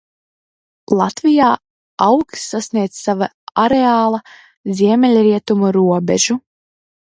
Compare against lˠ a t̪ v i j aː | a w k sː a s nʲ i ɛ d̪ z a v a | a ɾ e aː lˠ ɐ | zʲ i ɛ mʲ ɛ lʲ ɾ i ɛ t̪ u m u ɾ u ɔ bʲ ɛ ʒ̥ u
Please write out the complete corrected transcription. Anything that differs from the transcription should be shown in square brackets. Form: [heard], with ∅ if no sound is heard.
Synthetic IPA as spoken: lˠ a t̪ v i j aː | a w k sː a s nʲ i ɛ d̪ [s] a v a | a ɾ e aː lˠ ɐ | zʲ i ɛ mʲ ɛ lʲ ɾ i ɛ t̪ u m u ɾ u ɔ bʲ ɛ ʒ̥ u